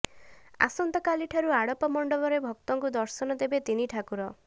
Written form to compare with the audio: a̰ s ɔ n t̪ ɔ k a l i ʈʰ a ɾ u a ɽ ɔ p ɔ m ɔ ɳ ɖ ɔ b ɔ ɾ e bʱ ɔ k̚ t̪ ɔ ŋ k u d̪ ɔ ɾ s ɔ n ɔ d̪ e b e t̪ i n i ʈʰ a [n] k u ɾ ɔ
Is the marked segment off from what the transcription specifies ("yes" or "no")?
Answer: yes